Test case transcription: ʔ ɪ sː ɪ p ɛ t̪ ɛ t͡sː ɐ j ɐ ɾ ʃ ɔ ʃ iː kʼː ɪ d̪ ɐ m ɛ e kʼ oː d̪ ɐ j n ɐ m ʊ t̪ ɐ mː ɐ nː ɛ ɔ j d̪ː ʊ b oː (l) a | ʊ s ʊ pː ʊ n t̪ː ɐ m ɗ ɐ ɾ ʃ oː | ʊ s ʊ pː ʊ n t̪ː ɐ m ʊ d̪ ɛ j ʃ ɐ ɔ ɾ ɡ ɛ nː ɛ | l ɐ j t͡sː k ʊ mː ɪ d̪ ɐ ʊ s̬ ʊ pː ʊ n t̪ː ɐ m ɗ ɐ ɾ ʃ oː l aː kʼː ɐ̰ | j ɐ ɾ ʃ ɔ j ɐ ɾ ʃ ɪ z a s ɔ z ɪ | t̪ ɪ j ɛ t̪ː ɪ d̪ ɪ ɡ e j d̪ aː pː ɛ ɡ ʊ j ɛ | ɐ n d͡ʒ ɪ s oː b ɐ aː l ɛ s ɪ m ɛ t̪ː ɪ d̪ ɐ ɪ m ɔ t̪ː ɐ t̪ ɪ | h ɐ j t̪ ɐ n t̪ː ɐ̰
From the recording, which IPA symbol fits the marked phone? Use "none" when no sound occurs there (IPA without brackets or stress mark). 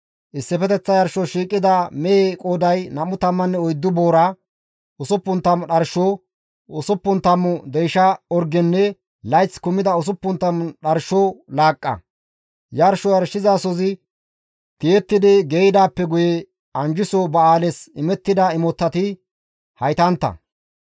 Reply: ɾ